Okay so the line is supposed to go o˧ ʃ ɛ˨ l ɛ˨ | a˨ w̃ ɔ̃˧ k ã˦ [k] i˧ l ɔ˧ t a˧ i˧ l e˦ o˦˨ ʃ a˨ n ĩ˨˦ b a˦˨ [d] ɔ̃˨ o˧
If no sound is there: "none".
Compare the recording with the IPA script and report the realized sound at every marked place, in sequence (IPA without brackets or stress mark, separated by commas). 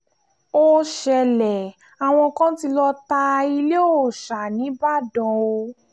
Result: t, d